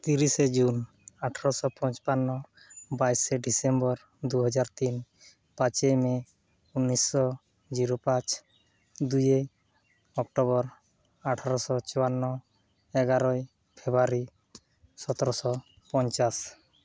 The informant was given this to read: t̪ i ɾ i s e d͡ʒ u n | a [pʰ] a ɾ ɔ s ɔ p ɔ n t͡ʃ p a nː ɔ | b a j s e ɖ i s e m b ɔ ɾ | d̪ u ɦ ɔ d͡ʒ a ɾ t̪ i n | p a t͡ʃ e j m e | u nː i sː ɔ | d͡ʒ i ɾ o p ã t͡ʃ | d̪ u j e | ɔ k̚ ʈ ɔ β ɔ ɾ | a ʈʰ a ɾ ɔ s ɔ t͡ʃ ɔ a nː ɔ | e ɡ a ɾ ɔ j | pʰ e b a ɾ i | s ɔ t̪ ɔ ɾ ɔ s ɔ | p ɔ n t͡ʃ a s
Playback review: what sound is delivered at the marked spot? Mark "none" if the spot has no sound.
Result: ʈʰ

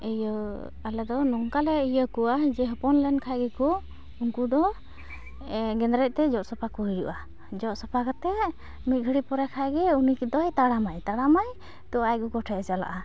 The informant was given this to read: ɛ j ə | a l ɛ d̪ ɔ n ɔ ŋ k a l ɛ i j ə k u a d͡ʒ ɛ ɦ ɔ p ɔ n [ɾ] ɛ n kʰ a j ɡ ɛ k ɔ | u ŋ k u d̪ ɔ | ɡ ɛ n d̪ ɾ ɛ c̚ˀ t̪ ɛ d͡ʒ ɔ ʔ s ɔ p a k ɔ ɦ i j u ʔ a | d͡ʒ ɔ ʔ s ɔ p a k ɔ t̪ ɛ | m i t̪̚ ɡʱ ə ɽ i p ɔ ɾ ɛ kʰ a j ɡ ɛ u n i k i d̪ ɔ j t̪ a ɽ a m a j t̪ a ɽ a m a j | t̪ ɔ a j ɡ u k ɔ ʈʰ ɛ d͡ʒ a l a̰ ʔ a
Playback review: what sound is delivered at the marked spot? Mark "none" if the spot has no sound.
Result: l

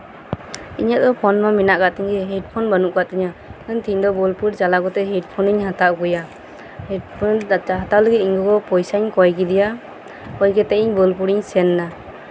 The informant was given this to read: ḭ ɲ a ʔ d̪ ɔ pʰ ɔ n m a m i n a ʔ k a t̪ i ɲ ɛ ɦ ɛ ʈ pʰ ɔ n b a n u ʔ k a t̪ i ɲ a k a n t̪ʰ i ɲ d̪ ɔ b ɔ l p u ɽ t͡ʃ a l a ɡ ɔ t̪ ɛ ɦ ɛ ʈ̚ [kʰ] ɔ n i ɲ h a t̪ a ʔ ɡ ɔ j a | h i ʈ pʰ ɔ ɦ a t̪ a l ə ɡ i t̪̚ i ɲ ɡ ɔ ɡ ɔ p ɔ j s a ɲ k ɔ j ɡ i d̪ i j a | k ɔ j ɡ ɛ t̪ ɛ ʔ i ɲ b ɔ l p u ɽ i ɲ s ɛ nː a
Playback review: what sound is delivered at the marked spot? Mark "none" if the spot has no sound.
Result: pʰ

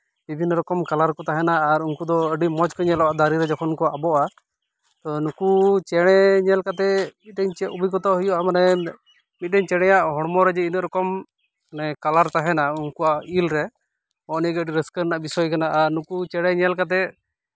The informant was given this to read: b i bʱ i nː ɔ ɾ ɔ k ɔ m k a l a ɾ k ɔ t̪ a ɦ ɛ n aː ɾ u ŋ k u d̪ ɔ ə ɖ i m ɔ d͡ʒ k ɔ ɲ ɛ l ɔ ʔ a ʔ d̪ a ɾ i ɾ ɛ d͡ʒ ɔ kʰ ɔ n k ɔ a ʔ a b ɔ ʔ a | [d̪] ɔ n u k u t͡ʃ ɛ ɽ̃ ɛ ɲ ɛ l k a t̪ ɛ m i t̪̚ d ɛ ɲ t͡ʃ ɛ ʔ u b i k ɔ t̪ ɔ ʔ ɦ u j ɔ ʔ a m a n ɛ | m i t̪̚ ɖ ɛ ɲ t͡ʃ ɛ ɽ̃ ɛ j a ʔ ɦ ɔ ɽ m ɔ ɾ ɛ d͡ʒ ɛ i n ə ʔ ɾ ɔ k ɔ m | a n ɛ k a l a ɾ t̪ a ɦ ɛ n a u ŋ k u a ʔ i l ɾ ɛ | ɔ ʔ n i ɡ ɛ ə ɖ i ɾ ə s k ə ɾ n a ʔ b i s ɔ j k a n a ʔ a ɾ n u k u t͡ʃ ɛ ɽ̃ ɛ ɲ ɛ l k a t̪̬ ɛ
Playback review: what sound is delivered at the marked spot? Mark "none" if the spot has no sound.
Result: t̪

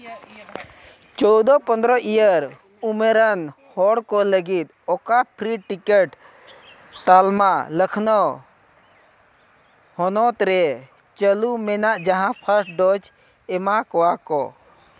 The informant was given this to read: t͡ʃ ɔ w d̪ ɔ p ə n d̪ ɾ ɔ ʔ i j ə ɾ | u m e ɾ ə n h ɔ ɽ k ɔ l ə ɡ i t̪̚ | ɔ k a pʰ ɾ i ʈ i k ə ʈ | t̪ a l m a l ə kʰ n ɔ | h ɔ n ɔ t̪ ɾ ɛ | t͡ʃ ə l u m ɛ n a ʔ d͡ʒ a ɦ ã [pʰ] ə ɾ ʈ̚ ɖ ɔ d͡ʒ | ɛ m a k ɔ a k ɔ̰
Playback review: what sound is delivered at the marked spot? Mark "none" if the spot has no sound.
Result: pʰ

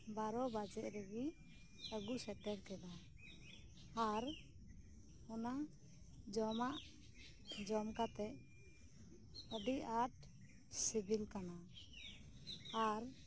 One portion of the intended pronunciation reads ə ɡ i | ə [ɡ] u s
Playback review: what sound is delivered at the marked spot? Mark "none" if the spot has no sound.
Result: ɡ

